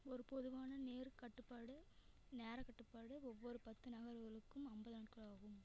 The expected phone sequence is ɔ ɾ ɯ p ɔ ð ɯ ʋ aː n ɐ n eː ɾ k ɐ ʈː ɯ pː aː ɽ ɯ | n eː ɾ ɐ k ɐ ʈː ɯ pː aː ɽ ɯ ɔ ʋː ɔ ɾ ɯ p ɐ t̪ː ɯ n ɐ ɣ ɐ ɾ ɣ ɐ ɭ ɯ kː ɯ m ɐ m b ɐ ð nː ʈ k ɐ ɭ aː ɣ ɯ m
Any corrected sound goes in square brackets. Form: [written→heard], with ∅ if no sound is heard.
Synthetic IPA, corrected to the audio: ɔ ɾ ɯ p ɔ ð ɯ ʋ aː n ɐ n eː ɾ k ɐ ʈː ɯ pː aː ɽ ɯ | n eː ɾ ɐ k ɐ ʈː ɯ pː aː ɽ ɯ ɔ ʋː ɔ ɾ ɯ p ɐ t̪ː ɯ n ɐ ɣ ɐ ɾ ɣ ɐ ɭ ɯ kː ɯ m ɐ m b ɐ ð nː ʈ k ɐ ɭ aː ɣ ɯ m